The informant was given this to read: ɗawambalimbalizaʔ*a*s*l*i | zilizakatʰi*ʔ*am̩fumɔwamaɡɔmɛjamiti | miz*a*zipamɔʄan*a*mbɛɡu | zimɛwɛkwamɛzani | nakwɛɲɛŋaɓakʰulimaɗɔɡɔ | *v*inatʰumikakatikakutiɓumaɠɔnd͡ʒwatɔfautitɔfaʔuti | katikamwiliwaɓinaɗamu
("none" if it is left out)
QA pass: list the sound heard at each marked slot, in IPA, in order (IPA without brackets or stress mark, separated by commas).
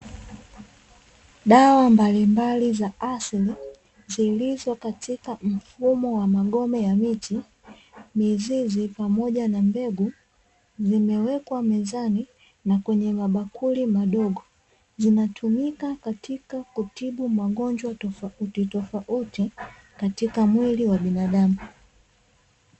a, l, k, i, a, z